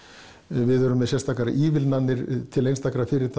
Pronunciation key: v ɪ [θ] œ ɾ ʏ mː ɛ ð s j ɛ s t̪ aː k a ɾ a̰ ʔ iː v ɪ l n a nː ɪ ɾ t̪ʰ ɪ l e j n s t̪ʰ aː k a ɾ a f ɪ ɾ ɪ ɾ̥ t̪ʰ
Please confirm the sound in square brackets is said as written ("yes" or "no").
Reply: no